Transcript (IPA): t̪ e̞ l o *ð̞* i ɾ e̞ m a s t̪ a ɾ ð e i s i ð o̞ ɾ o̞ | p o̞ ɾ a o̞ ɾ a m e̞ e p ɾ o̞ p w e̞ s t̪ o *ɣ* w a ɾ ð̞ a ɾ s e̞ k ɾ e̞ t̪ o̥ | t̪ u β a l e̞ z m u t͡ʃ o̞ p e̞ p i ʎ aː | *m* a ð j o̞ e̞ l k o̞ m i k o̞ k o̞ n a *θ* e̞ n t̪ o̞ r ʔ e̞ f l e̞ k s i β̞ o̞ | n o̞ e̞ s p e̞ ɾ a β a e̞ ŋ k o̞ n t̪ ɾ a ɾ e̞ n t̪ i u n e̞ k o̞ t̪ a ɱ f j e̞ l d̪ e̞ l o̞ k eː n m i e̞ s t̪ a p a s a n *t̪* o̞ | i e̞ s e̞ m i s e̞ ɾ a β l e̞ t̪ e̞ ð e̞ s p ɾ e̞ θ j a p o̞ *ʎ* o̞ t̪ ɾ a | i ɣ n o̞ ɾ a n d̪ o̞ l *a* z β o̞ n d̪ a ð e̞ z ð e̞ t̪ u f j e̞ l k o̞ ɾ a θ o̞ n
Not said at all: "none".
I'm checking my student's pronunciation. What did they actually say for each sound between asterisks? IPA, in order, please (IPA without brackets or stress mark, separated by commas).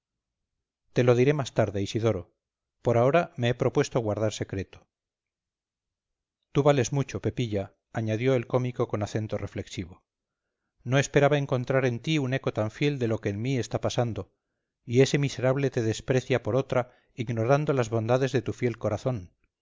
ð̞, ɣ, ɲ, θ, d̪, ɾ, a